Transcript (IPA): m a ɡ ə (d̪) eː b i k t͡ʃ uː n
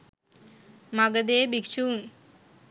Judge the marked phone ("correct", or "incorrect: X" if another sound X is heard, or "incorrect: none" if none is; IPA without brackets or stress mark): correct